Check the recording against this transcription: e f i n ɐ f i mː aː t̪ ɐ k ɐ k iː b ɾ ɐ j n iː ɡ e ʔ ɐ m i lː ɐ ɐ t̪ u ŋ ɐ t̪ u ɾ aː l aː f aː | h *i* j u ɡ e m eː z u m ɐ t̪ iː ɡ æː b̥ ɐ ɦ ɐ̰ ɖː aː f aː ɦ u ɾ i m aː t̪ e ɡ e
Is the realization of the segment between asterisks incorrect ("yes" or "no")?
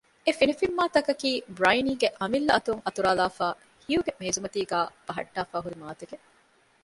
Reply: no